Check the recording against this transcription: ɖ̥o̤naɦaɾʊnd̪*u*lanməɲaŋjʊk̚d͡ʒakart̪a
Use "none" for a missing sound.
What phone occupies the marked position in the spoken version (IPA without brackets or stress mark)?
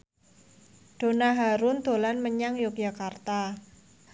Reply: o